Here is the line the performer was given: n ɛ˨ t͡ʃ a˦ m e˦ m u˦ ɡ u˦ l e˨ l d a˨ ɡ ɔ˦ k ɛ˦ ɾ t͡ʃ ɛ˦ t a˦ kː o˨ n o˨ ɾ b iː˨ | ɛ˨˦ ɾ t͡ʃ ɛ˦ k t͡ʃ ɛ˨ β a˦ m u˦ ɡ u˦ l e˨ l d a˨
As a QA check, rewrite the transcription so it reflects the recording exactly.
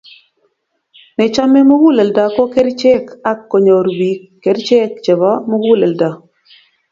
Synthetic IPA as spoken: n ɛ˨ t͡ʃ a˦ m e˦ m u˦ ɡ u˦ l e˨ l d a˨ k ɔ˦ k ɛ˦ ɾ t͡ʃ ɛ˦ k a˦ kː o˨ ɲ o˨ ɾ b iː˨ | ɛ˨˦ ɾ t͡ʃ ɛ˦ k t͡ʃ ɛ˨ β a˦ m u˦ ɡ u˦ l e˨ l d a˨